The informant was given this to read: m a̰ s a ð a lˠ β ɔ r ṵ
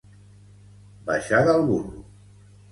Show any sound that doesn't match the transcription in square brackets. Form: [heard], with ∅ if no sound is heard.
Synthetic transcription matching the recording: [b] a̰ [ʃ] a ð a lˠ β [u] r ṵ